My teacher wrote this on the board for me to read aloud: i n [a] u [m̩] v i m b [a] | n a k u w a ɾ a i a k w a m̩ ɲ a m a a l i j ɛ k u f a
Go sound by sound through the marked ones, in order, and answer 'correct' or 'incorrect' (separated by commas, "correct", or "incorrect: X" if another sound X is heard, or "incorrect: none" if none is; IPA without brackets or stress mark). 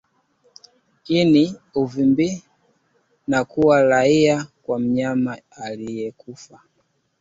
incorrect: i, incorrect: none, incorrect: i